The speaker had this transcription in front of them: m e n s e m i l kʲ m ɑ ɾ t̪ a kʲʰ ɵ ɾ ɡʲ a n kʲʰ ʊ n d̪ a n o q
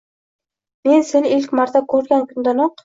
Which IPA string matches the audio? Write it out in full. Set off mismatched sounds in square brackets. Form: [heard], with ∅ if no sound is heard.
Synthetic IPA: m e n s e [n] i l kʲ m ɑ ɾ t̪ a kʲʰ ɵ ɾ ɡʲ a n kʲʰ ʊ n d̪ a n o q